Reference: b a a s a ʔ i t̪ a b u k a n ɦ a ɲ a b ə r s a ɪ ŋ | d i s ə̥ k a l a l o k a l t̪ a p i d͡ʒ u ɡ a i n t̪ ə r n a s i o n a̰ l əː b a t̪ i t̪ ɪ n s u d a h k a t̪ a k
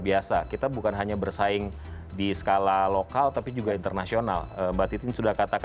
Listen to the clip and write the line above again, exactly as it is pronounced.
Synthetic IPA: b i a s a k i t̪ a b u k a n ɦ a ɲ a b ə r s a ɪ ŋ | d i s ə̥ k a l a l o k a l t̪ a p i d͡ʒ u ɡ a i n t̪ ə r n a s i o n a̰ l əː b a t̪ i t̪ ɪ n s u d a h k a t̪ a k